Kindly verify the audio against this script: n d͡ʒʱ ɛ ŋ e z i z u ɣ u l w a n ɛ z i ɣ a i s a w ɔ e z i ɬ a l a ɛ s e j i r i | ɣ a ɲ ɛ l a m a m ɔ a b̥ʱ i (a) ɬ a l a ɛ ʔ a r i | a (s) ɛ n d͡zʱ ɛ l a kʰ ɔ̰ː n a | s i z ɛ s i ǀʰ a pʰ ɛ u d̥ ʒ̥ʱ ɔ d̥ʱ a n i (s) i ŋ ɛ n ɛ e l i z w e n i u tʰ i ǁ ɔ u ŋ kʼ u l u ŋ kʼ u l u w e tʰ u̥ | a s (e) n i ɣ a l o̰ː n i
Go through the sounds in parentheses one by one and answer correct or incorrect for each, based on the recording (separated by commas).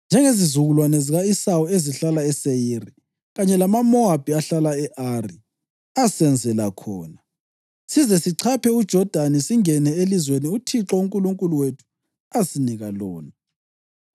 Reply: correct, correct, correct, incorrect